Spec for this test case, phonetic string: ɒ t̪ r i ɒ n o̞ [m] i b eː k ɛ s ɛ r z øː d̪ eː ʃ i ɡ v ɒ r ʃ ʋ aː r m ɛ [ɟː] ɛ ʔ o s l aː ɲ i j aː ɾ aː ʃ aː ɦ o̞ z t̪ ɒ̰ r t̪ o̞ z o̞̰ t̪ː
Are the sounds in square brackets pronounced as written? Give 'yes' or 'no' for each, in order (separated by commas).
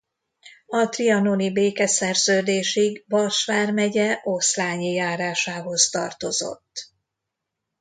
no, no